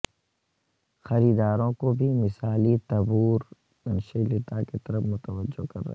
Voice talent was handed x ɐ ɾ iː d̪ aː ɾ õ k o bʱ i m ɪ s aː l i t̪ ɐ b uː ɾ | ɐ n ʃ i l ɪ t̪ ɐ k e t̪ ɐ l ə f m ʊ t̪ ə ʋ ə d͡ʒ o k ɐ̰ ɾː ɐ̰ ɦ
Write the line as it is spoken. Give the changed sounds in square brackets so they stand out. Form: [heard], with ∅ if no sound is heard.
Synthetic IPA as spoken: x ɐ ɾ iː d̪ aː ɾ õ k o bʱ i m ɪ s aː l i t̪ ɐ b uː ɾ | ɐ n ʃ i l ɪ t̪ [a] k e t̪ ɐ [ɾ] ə f m ʊ t̪ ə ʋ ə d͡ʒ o k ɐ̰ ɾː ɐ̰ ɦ